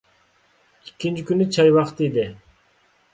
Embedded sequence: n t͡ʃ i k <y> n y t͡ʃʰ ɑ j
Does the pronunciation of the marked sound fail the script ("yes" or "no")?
no